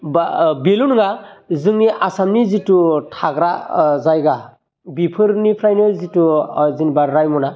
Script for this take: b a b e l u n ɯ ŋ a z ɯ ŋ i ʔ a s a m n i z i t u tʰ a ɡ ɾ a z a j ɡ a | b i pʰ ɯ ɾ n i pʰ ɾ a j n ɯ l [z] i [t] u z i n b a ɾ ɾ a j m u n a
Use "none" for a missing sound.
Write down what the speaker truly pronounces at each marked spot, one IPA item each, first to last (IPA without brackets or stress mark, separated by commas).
z, t